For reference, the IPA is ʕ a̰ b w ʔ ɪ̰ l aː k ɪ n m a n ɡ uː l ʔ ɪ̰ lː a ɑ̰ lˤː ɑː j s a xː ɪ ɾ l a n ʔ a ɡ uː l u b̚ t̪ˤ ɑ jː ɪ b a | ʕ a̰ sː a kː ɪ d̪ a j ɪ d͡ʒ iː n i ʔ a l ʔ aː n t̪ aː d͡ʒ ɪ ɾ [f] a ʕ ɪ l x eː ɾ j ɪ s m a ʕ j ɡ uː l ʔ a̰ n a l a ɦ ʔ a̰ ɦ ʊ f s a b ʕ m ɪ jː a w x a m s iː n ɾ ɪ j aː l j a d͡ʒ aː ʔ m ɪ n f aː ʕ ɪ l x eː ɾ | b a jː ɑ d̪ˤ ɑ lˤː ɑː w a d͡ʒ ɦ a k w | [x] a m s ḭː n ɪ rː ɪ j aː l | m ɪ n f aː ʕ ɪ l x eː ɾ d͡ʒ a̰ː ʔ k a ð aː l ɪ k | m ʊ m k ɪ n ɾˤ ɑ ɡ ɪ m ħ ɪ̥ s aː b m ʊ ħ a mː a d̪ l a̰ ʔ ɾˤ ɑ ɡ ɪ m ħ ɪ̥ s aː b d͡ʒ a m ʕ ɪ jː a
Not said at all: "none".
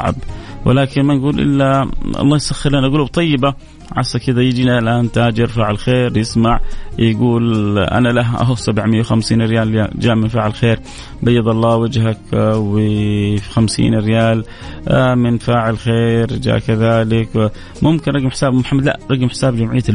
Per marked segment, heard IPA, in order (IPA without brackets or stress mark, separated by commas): f, x